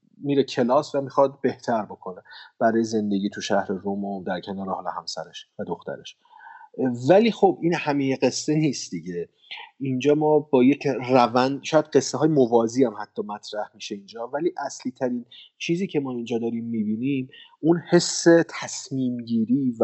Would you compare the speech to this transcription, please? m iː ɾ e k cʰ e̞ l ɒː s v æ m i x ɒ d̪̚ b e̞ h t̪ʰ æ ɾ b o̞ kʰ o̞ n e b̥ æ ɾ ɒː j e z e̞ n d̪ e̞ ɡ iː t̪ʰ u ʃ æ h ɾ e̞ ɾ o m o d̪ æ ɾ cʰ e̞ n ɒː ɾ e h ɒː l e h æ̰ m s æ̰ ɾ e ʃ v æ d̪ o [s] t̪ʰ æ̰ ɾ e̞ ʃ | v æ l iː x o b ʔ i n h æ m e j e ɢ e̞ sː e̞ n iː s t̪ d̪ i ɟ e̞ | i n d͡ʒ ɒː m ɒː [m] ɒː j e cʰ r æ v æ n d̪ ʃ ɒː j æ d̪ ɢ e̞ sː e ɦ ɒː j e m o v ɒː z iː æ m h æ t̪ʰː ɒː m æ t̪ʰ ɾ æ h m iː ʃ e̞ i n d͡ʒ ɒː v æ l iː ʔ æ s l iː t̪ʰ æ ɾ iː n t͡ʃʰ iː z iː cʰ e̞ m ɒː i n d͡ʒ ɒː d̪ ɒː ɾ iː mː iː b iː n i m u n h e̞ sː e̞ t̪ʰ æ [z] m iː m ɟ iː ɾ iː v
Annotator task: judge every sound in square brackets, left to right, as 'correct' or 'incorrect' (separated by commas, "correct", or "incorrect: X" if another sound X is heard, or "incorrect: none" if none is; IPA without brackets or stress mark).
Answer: incorrect: x, incorrect: b, incorrect: s